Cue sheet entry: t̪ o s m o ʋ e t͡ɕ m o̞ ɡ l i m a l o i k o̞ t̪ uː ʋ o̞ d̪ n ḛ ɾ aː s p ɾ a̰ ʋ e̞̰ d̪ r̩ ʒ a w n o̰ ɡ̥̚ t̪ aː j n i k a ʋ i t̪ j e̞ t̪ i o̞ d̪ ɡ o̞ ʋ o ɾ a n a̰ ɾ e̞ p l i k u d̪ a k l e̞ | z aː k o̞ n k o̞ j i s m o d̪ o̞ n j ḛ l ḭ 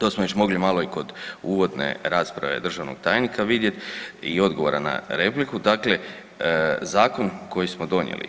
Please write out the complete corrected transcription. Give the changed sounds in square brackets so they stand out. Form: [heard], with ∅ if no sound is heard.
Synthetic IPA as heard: t̪ o s m o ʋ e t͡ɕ m o̞ ɡ l i m a l o i k o̞ [d̪] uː ʋ o̞ d̪ n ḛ ɾ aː s p ɾ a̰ ʋ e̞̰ d̪ r̩ ʒ a [ʋ] n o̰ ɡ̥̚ t̪ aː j n i k a ʋ i [d̪] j e̞ t̪ i o̞ d̪ ɡ o̞ ʋ o ɾ a n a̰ ɾ e̞ p l i k u d̪ a k l e̞ | z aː k o̞ n k o̞ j i s m o d̪ o̞ n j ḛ l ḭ